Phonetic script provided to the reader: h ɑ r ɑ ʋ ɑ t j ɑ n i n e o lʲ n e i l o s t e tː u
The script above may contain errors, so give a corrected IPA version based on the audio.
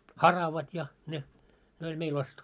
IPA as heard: h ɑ r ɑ ʋ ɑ t j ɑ n e n e o lʲ m e i l o s t e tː u

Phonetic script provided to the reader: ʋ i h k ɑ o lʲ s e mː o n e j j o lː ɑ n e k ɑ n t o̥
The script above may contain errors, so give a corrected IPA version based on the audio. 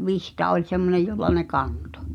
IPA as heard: ʋ i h t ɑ o lʲ s e mː o n e j j o lː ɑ n e k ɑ n t o̥

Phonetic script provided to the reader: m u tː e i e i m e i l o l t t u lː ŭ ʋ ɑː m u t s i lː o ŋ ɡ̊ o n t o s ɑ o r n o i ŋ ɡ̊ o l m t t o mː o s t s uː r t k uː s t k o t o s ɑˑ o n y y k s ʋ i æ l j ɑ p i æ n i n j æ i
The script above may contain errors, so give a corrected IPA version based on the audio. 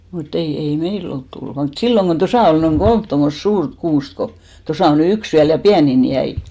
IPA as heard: m u tː e i e i m e i l o l t t u lː ŭ ʋ ɑː m u t s i lː o ŋ ɡ̊ o n t o s ɑ o l n o i ŋ ɡ̊ o l m t t o mː o s t s uː r t k uː s t k o t o s ɑˑ o n y y k s ʋ i æ l j ɑ p i æ n i n j æ i

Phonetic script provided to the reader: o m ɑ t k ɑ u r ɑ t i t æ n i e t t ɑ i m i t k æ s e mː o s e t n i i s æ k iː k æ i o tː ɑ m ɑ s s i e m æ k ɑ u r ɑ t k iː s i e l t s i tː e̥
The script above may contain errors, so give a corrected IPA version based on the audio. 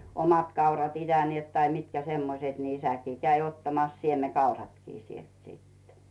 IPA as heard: o m ɑ t k ɑ u r ɑ t i t æ n i e t t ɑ i m i t k æ s e mː o s e t n i i s æ k iː k æ i o tː ɑ m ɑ s s i e m e k ɑ u r ɑ t k iː s i e l t s i tː e̥

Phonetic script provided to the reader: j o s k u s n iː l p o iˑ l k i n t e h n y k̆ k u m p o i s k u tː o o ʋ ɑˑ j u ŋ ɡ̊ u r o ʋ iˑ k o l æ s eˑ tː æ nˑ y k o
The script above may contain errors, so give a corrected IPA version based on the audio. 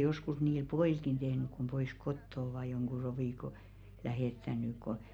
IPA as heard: j o s k u s n iː l p o iˑ l k i n t e h n y k̆ k u m p o i s k o tː o o ʋ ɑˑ j o ŋ ɡ̊ u r o ʋ iˑ k o l æ h eˑ tː æ nˑ y k o

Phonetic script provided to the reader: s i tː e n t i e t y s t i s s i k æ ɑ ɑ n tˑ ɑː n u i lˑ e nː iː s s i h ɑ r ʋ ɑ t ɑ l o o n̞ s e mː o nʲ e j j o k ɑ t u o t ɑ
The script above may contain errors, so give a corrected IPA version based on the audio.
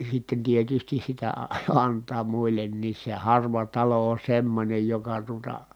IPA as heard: s i tː e n t i e t y s t i s s i t æ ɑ ɑ n tˑ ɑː m u i lˑ e nː iː s s e h ɑ r ʋ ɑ t ɑ l o o n̞ s e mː o nʲ e j j o k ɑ t u o t ɑ

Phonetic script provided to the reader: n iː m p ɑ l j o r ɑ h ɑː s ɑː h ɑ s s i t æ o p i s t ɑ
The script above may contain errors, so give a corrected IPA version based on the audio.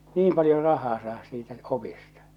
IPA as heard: n iː m p ɑ l j o r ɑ h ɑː s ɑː h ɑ s s iː t æ o p i s t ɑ

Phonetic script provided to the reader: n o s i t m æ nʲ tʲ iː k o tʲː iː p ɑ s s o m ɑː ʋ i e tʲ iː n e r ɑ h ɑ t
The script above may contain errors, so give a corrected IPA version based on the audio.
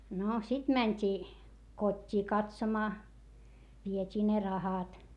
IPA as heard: n o s i t m æ nʲ tʲ iː k o tʲː iː k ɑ t s o m ɑː ʋ i e tʲ iː n e r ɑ h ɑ t

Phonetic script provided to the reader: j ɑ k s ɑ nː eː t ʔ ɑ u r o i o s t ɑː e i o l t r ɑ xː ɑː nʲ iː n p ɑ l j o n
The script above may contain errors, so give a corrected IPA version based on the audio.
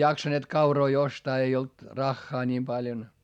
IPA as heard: j ɑ k s ɑ n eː t k ɑ u r o i o s t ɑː e i o l t r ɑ xː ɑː nʲ iː m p ɑ l j o n

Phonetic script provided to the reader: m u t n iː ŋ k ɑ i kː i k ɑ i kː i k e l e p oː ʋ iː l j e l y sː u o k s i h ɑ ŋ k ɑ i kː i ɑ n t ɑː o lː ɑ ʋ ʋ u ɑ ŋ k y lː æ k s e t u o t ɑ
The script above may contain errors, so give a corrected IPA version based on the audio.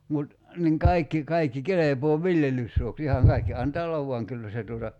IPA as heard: m u t n iː ŋ k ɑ i kː i k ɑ i kː i k e l e p oː ʋ i l j e l y sː u o k s i h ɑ ŋ k ɑ i kː i ɑ n t ɑː o lː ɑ ʋ ʋ u ɑ ŋ k y lː æ s e t u o t ɑ

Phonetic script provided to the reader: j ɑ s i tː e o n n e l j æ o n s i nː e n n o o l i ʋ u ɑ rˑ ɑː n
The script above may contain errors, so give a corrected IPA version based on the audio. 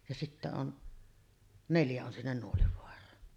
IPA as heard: j ɑ s i tː æ o n n e l j æ o n s i nː e n n u o l i ʋ o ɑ rˑ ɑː n

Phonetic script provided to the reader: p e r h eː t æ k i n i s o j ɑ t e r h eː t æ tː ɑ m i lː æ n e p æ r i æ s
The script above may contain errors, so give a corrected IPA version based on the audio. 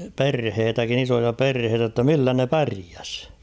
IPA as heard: p e r h eː t æ k i n i s o j ɑ p e r h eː t æ tː ɑ m i lː æ n e p æ r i æ s

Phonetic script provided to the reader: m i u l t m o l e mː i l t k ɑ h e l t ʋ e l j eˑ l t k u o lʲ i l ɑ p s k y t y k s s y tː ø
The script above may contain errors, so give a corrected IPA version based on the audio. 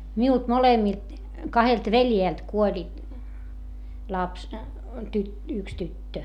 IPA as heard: m i u l t m o l e mː i l t k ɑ h e l t ʋ e l j eˑ l t k u o lʲ i l ɑ p s t y t y k s t y tː ø

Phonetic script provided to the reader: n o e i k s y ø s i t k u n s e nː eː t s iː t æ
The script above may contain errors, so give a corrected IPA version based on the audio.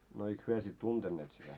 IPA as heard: n o e i k h y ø s i t t u n t e nː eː t s i t æ

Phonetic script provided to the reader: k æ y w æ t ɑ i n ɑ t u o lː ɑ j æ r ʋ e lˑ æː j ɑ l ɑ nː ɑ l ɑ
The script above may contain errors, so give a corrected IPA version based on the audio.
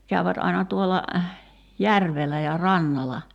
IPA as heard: k æ y ʋ æ t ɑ i n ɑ t u o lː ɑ j æ r ʋ e lˑ æ j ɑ r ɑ nː ɑ l ɑ

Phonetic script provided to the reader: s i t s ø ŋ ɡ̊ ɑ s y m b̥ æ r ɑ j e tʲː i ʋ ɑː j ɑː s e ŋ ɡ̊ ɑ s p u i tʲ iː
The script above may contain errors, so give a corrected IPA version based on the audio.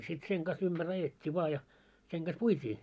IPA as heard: s i t s e ŋ ɡ̊ ɑ s y m b̥ æ r ɑ j e tʲː i ʋ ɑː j ɑ s e ŋ ɡ̊ ɑ s p u i tʲ iː

